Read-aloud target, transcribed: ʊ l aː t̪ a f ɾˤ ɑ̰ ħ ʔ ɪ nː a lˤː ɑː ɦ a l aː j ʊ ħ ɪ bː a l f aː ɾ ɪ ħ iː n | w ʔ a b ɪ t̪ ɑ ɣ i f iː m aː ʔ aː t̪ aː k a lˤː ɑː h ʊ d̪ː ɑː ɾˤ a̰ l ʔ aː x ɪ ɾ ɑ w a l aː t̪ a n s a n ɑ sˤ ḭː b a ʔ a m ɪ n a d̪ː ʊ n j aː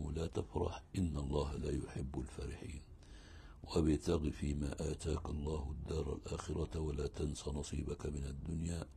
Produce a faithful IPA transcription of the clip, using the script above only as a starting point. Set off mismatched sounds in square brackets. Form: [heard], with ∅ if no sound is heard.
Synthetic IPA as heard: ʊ l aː t̪ a f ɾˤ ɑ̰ ħ ʔ ɪ nː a lˤː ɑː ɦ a l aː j ʊ ħ ɪ bː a l f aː ɾ ɪ ħ iː n | w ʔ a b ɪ t̪ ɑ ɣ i f iː m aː ʔ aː t̪ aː k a lˤː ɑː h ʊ d̪ː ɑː ɾˤ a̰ l ʔ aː x ɪ ɾ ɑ w a l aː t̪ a n s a n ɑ sˤ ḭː b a [k] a m ɪ n a d̪ː ʊ n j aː